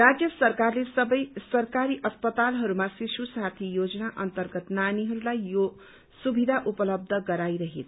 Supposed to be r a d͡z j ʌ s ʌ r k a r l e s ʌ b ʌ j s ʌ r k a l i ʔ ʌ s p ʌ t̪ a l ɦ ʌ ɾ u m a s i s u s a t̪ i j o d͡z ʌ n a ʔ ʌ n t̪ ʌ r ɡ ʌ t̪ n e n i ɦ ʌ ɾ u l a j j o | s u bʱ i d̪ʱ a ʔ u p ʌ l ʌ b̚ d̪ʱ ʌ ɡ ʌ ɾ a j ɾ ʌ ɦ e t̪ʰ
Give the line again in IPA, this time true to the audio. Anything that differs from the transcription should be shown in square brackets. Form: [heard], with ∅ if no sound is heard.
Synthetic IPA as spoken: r a d͡z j ʌ s ʌ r k a r l e s ʌ b ʌ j s ʌ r k a [ɾ] i ʔ ʌ s p ʌ t̪ a l ɦ ʌ ɾ u m a s i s u s a [t̪ʰ] i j o d͡z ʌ n a ʔ ʌ n t̪ ʌ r ɡ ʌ t̪ n [a] n i ɦ ʌ ɾ u l a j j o | s u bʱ i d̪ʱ a ʔ u p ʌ l ʌ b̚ d̪ʱ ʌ ɡ ʌ ɾ a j ɾ ʌ ɦ e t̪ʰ